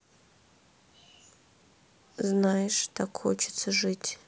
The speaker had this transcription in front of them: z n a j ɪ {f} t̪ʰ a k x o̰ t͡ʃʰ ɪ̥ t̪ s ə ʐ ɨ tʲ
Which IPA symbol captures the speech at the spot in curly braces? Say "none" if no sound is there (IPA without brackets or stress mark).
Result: ʂ